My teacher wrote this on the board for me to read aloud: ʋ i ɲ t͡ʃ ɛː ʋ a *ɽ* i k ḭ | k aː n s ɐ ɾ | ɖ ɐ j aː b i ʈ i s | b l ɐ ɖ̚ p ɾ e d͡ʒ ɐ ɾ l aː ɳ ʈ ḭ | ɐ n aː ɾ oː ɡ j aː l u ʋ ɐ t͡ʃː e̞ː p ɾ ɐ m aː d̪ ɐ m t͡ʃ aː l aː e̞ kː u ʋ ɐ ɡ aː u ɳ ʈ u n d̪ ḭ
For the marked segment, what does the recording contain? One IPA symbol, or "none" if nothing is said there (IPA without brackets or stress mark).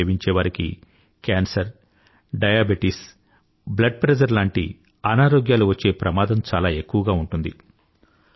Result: ɾ